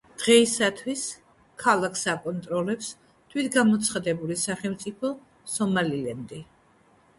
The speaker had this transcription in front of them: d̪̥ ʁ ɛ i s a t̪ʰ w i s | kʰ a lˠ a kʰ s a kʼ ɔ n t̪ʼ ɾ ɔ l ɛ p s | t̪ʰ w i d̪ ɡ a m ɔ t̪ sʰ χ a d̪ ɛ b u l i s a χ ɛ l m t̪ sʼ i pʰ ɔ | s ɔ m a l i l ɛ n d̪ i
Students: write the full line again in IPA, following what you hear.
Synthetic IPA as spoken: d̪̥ ʁ ɛ i s a t̪ʰ w i s | kʰ a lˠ a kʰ s a kʼ ɔ n t̪ʼ ɾ ɔ l ɛ p s | t̪ʰ w i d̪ ɡ a m ɔ t̪ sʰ χ a d̪ ɛ b u l i s a χ ɛ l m t̪ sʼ i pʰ ɔ | s ɔ m a l i l ɛ n d̪ i